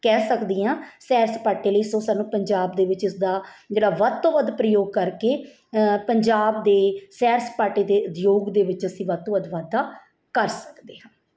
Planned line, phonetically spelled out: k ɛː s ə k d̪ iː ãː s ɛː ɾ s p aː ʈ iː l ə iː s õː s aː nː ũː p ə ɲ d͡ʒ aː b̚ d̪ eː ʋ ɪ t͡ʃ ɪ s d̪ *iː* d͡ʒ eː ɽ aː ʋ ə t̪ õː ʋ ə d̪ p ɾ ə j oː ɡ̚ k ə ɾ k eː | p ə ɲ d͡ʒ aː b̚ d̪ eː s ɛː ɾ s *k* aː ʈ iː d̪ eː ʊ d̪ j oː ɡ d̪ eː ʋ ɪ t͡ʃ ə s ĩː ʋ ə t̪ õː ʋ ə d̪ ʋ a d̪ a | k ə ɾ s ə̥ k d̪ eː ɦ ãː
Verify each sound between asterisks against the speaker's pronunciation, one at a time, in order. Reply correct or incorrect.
incorrect: aː, incorrect: p

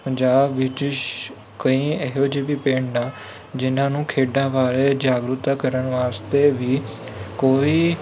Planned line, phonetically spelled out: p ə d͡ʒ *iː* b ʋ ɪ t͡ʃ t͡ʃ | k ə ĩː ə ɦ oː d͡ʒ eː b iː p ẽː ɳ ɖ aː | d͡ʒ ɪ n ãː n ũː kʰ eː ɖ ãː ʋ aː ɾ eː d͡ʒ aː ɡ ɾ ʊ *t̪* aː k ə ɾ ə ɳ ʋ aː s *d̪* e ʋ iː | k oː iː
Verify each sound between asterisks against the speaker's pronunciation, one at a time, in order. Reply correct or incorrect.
incorrect: aː, correct, incorrect: t̪

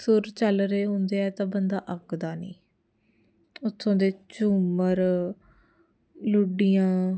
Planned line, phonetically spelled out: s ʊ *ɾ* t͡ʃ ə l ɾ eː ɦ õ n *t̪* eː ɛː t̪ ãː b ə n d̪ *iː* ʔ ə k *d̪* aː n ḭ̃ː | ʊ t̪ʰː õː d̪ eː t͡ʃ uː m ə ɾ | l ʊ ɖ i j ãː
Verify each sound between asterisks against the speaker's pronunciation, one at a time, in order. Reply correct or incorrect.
correct, incorrect: d̪, incorrect: aː, correct

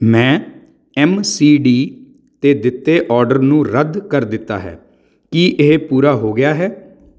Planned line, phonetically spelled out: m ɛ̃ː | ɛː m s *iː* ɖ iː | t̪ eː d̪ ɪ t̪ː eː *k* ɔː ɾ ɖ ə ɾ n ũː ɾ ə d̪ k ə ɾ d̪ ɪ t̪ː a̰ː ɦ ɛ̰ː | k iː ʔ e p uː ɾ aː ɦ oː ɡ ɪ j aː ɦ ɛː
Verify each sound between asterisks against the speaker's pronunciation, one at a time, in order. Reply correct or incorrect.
correct, incorrect: ʔ

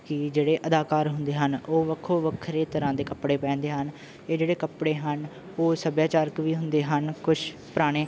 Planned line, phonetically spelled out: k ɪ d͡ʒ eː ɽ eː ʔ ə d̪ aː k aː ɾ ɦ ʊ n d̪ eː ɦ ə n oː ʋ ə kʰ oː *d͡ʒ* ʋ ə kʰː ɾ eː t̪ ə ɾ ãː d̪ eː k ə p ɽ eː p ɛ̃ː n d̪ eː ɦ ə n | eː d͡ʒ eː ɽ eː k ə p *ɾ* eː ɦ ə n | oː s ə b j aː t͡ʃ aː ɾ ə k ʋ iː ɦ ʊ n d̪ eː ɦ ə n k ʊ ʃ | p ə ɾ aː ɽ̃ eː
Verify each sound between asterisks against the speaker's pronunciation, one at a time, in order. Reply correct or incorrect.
incorrect: none, incorrect: ɽ

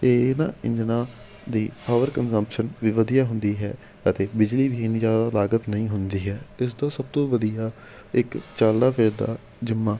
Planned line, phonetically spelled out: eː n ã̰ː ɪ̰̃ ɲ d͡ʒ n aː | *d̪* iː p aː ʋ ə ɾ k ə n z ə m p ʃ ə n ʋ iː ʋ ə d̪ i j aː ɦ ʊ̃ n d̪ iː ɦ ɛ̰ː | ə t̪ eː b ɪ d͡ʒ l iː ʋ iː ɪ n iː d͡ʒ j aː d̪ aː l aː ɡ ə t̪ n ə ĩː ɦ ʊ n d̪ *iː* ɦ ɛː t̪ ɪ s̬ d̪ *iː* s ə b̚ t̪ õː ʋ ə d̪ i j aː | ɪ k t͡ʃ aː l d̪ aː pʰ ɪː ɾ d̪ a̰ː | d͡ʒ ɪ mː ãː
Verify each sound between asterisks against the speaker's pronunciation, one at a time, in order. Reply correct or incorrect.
correct, correct, incorrect: aː

